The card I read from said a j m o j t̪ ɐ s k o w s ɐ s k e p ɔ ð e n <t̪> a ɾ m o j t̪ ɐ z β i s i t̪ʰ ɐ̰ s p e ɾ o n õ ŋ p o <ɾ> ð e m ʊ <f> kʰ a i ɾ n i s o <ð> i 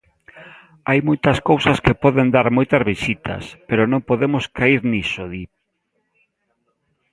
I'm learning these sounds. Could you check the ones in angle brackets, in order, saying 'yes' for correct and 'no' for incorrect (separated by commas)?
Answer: no, no, no, yes